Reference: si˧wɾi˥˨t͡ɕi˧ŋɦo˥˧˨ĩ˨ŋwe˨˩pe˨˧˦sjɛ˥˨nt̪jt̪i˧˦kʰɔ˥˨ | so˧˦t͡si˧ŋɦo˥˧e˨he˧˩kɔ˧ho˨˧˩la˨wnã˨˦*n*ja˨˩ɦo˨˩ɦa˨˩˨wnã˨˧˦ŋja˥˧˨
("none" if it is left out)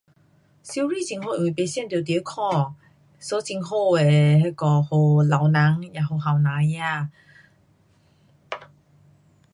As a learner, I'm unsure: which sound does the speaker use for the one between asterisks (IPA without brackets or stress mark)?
ŋ